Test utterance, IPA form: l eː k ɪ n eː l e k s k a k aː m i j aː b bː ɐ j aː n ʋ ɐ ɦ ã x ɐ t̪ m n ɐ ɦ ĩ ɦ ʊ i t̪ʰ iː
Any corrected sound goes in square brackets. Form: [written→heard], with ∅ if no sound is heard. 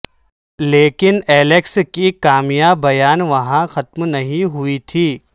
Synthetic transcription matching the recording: l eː k ɪ n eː l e k s k [a→i] k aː m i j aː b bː ɐ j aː n ʋ ɐ ɦ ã x ɐ t̪ m n ɐ ɦ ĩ ɦ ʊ i t̪ʰ iː

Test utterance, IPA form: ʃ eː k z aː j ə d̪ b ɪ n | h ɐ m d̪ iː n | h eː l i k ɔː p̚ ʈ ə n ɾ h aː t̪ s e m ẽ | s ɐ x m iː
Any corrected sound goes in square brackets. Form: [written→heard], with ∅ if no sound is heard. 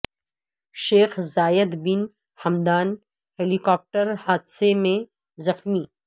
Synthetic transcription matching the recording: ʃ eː [k→x] z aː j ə d̪ b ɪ n | h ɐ m d̪ [iː→aː] n | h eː l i k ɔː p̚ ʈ ə [n→∅] ɾ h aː [t̪→d̪] s e m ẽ | [s→z] ɐ x m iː

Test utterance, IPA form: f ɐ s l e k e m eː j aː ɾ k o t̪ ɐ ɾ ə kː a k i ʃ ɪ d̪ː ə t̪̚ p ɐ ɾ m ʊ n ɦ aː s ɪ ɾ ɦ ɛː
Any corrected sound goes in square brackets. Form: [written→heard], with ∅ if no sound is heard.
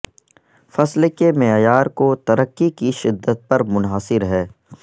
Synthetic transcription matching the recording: f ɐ s l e k e m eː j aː ɾ k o t̪ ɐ ɾ ə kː [a→i] k i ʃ ɪ d̪ː ə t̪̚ p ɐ ɾ m ʊ n ɦ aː s ɪ ɾ ɦ ɛː

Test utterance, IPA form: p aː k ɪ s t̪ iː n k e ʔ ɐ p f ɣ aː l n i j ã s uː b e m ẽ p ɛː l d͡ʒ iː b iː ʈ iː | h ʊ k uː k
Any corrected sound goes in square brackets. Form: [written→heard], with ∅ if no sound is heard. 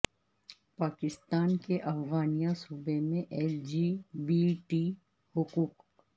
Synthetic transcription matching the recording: p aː k ɪ s t̪ [iː→aː] n k e ʔ ɐ [p→∅] f ɣ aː [l→∅] n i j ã s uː b e m ẽ [p→ʔ] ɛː l d͡ʒ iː b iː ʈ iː | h ʊ k uː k

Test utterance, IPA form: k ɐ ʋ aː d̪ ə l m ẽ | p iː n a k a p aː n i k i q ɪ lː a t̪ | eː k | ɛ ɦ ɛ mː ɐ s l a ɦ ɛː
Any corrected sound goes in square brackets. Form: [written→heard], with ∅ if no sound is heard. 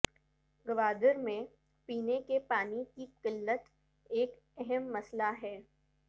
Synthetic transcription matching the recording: [k→ɡ] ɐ ʋ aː d̪ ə [l→ɾ] m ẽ | p iː n [a→e] k [a→e] p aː n i k i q ɪ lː [a→ə] t̪ | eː k | ɛ ɦ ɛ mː ɐ s l a ɦ ɛː

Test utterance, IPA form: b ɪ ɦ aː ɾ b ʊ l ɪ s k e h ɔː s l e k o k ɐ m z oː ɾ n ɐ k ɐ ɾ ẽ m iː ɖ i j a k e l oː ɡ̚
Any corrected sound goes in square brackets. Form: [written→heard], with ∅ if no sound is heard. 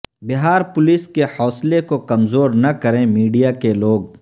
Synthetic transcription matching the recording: b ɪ ɦ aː ɾ [b→p] ʊ l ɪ s k e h ɔː s l e k o k ɐ m z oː ɾ n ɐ k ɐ ɾ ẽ m iː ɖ i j a k e l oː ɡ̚

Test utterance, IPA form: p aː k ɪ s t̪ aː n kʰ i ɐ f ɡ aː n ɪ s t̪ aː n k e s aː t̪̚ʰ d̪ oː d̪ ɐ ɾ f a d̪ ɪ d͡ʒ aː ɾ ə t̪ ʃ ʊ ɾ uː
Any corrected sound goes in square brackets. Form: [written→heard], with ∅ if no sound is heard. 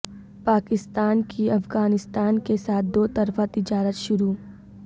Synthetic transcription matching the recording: p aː k ɪ s t̪ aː n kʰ i ɐ f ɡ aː n ɪ s t̪ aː n k e s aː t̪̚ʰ d̪ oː [d̪→t̪] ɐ ɾ f a [d̪→t̪] ɪ d͡ʒ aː ɾ ə t̪ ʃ ʊ ɾ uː

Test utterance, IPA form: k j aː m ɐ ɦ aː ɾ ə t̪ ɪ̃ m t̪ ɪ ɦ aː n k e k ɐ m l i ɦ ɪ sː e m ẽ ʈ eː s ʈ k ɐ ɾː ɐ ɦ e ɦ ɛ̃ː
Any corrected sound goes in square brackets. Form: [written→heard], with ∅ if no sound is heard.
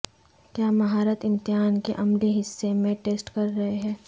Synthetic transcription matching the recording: k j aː m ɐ ɦ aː ɾ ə t̪ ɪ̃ m t̪ ɪ ɦ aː n k e [k→ʔ] ɐ m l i ɦ ɪ sː e m ẽ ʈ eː s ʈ k ɐ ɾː ɐ ɦ e ɦ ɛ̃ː

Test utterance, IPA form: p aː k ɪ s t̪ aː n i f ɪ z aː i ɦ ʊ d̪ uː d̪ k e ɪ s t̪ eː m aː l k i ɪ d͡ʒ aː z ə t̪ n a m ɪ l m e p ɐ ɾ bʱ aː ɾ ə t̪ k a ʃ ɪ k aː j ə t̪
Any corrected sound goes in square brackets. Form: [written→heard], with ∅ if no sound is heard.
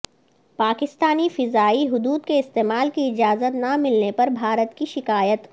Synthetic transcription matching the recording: p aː k ɪ s t̪ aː n i f ɪ z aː i ɦ ʊ d̪ uː d̪ k e ɪ s t̪ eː m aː l k i ɪ d͡ʒ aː z ə t̪ n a m ɪ l [m→n] e p ɐ ɾ bʱ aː ɾ ə t̪ k [a→i] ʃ ɪ k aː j ə t̪

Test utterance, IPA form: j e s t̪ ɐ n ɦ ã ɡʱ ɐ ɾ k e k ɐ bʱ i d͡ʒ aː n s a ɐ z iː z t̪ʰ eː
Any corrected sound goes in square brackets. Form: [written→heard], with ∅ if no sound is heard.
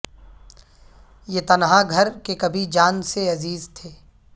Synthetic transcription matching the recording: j e [s→∅] t̪ ɐ n ɦ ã ɡʱ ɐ ɾ k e k ɐ bʱ i d͡ʒ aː n s [a→e] ɐ z iː z t̪ʰ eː

